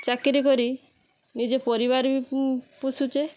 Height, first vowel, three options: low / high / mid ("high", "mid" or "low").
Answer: low